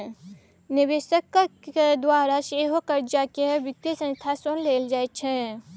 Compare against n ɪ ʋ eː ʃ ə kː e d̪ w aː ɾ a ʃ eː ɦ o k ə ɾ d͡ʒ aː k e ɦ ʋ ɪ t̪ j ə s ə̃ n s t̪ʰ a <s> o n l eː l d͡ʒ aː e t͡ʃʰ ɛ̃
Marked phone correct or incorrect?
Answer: correct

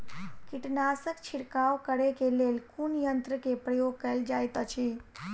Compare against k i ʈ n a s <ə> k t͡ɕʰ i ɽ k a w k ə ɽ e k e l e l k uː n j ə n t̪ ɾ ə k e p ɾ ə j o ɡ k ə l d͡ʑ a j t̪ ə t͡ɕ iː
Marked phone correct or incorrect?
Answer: correct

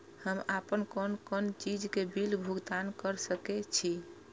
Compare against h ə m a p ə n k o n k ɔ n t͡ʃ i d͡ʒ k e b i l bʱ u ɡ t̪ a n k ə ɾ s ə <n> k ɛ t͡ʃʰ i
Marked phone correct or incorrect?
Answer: incorrect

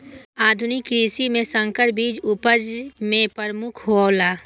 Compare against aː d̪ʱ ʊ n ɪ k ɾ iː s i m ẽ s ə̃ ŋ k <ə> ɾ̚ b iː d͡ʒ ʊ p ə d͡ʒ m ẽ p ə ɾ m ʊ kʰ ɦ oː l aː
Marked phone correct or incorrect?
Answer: correct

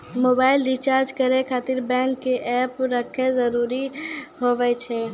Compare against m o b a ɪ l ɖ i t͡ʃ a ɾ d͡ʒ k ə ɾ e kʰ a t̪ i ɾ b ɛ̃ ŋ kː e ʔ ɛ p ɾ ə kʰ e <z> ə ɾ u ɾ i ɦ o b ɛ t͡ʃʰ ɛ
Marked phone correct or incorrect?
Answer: correct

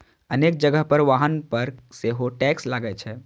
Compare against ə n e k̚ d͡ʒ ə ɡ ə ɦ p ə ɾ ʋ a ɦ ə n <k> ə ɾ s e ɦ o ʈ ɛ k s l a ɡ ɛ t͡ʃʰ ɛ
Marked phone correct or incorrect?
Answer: incorrect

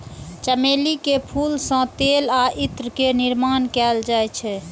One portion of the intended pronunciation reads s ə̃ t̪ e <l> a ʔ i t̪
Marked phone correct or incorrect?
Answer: correct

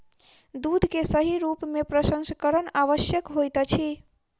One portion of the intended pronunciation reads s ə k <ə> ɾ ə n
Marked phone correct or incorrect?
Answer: correct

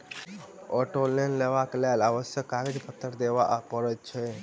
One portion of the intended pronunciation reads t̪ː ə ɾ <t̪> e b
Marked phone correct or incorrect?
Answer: incorrect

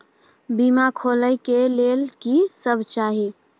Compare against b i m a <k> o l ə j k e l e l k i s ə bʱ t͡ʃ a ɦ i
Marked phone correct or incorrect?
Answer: incorrect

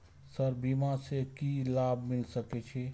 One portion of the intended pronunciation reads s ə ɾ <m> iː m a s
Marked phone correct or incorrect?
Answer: incorrect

